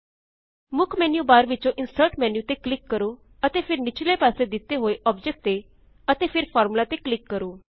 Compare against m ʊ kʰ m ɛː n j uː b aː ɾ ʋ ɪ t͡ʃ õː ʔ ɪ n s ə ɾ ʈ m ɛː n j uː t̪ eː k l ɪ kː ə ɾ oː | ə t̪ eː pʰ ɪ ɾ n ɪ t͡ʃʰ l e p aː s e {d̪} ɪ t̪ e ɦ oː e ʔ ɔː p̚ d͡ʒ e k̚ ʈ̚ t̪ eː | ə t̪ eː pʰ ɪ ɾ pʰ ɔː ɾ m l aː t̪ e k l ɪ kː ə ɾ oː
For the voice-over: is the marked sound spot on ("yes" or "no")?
yes